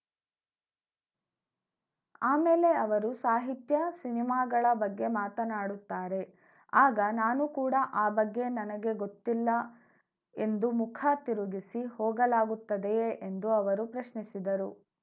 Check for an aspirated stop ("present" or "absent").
present